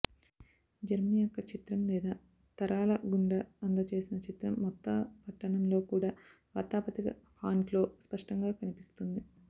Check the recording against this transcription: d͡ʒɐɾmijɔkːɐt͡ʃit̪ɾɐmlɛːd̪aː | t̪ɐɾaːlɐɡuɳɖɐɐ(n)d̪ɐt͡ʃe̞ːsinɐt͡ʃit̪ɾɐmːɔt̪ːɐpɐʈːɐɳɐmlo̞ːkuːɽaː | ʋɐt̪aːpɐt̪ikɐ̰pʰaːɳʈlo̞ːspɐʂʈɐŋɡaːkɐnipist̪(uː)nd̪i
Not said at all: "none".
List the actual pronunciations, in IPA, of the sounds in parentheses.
n, u

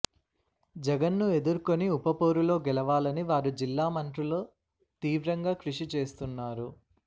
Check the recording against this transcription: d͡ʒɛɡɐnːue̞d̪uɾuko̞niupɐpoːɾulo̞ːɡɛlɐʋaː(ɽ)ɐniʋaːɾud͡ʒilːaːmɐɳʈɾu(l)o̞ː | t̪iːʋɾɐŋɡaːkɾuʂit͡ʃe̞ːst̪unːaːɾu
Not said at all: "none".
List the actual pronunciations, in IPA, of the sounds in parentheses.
l, l

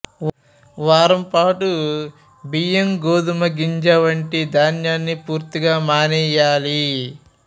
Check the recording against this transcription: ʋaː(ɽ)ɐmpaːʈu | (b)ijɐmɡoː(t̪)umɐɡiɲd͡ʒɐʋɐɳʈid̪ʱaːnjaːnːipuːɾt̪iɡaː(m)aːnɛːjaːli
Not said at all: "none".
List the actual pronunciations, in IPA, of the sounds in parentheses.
ɾ, b, d̪, m

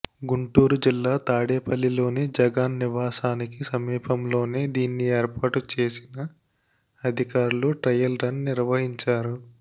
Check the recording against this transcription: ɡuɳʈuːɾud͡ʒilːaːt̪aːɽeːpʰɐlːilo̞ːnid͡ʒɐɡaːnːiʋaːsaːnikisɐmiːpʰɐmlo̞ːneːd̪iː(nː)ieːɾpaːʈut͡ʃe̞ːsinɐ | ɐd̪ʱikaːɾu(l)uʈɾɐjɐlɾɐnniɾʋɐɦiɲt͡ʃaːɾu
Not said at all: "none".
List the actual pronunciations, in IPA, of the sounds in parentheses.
nː, l

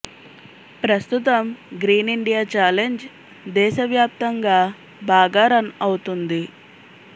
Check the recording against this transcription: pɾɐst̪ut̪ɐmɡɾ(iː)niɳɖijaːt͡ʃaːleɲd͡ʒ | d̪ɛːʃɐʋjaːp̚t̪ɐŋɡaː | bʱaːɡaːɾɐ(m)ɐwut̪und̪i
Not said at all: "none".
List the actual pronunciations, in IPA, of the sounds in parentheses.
iː, n

